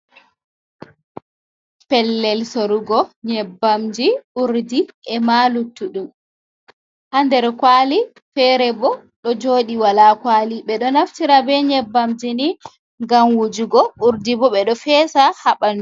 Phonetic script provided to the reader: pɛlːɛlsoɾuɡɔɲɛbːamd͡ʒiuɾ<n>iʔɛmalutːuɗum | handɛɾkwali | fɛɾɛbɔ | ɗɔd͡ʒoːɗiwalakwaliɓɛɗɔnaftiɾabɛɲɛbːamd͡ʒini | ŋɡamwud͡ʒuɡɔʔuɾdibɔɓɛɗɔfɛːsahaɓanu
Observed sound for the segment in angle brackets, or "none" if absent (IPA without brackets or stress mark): d